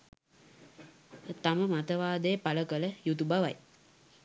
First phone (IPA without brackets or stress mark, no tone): t̪